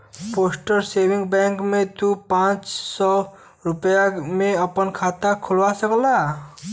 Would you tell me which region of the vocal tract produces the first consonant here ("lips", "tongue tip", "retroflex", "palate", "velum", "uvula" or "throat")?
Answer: lips